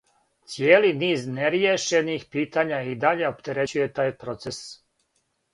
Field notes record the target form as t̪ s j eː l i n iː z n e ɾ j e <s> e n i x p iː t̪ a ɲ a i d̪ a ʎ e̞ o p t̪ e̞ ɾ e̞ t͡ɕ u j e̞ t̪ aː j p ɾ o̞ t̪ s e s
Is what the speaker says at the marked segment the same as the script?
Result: no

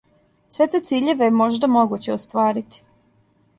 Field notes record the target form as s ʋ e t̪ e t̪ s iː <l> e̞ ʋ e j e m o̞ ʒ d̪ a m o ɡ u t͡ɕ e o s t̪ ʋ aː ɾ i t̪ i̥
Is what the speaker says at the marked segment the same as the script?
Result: no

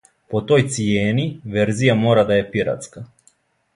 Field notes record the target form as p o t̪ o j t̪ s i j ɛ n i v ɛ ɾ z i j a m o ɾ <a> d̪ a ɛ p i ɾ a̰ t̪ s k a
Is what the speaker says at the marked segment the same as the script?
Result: yes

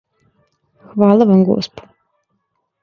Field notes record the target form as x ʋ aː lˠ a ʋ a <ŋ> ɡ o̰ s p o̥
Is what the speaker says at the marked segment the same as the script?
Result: no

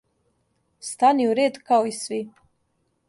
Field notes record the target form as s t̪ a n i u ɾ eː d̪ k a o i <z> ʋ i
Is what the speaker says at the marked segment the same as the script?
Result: no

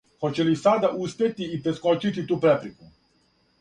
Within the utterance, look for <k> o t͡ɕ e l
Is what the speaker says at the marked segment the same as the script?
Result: no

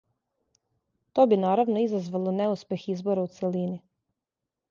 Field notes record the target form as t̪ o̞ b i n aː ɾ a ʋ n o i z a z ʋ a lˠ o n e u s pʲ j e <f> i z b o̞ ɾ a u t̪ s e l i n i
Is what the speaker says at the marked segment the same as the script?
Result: no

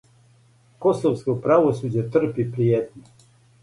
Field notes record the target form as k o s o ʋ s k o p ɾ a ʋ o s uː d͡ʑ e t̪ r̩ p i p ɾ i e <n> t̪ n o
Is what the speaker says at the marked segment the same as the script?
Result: no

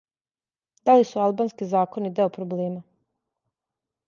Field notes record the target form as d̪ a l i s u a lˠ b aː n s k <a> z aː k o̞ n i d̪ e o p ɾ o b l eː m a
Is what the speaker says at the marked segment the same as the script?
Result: no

